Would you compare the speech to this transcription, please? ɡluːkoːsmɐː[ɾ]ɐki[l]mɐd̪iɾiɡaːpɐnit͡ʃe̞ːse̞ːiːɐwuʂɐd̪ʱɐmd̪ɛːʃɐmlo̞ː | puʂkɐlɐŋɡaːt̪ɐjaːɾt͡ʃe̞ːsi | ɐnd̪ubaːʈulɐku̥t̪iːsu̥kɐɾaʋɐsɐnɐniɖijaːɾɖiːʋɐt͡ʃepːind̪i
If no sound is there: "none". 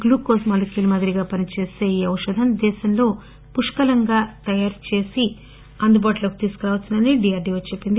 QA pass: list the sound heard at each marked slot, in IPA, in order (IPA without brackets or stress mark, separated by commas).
l, l